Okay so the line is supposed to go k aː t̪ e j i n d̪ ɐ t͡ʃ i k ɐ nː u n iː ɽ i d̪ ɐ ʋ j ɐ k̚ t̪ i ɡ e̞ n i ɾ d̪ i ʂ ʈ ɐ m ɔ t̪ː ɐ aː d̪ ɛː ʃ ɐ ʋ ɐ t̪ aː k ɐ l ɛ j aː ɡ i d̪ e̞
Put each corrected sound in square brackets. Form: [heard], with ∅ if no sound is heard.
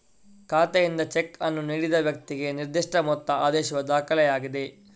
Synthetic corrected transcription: k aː t̪ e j i n d̪ ɐ t͡ʃ [e] k ɐ nː u n iː ɽ i d̪ ɐ ʋ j ɐ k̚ t̪ i ɡ e̞ n i ɾ d̪ i ʂ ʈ ɐ m ɔ t̪ː ɐ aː d̪ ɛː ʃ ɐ ʋ ɐ [d̪] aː k ɐ l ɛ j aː ɡ i d̪ e̞